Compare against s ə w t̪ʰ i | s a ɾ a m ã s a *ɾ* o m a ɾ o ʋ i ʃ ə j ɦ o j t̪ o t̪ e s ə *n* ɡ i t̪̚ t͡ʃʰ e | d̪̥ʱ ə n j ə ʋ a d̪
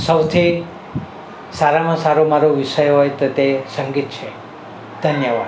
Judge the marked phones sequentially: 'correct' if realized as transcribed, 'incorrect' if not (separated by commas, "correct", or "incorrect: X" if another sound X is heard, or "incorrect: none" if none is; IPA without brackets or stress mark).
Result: correct, incorrect: ŋ